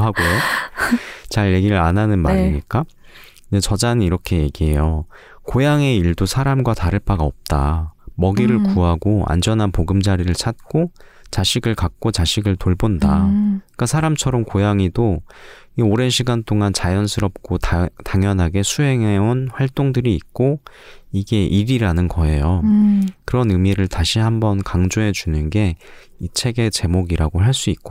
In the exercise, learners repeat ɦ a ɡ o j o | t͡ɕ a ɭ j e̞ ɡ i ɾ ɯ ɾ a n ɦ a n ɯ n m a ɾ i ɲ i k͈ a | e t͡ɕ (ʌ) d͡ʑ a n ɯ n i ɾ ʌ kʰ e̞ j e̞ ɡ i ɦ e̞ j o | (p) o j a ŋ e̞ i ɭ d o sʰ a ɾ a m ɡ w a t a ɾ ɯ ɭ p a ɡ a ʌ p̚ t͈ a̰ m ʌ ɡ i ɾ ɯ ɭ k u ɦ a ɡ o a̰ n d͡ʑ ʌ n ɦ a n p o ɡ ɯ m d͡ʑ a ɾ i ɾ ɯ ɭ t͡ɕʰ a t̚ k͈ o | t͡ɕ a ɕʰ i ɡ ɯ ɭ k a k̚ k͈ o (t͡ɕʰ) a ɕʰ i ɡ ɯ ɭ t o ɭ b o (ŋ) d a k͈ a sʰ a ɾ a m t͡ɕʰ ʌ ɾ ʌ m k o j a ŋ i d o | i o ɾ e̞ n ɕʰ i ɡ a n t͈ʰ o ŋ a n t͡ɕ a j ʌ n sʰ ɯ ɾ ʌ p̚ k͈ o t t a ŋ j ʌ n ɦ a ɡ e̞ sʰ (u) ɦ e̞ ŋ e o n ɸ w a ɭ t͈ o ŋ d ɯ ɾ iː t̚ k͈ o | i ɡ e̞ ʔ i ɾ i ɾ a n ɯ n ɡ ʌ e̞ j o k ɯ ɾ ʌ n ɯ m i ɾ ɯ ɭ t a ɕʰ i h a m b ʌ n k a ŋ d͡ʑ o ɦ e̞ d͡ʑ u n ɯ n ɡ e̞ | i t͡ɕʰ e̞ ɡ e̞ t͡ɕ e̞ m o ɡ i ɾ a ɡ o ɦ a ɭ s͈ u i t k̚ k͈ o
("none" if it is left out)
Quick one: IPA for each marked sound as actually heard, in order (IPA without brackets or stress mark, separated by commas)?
ʌ, k, t͡ɕ, n, u